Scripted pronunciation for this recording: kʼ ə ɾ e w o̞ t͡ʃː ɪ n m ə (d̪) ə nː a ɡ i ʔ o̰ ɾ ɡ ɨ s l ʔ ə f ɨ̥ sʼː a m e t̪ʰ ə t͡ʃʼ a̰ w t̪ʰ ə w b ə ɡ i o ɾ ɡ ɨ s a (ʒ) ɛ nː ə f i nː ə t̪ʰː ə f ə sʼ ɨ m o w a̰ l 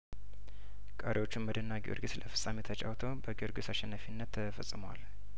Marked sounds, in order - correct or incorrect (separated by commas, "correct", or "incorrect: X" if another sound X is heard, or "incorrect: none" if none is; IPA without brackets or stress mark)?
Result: correct, incorrect: ʃ